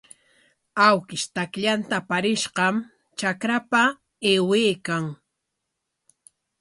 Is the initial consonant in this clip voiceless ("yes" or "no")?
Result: no